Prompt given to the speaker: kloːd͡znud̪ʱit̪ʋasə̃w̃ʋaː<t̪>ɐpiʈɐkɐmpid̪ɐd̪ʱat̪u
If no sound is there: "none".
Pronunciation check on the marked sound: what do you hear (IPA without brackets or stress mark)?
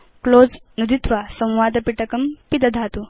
d̪